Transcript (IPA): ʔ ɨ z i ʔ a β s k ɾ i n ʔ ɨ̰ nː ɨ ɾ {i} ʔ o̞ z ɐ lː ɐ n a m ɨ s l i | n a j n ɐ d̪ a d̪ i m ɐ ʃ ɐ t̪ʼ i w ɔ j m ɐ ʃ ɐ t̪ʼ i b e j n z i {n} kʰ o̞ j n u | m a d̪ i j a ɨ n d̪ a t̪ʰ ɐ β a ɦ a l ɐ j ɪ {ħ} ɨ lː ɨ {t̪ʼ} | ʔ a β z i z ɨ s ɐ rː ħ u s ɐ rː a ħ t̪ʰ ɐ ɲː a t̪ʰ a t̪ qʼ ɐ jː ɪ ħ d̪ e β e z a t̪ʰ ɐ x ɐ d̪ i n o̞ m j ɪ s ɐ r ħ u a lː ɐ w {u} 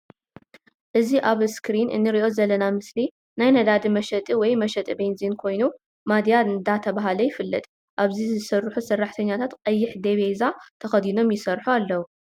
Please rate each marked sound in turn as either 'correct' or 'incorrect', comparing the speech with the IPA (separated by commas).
correct, correct, incorrect, correct, correct